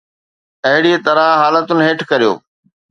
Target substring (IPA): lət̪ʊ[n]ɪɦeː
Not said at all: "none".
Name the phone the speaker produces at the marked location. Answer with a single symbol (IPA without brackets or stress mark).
n